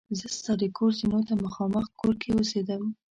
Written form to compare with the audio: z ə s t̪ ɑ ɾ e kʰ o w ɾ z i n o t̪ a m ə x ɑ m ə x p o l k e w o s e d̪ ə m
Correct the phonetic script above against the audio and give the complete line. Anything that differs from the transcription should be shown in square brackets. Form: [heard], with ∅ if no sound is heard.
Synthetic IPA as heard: z ə s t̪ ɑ ɾ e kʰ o [∅] ɾ z i n o t̪ a m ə x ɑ m ə x [k] o [ɾ] k e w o s e d̪ ə m